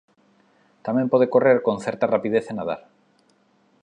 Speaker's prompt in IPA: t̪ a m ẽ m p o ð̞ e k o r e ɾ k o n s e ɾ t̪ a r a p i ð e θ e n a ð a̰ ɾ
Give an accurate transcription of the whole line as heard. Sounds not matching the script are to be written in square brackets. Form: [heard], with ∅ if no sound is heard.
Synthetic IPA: t̪ a m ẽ m p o ð̞ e k o r e ɾ k o n [θ] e ɾ t̪ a r a p i ð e θ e n a ð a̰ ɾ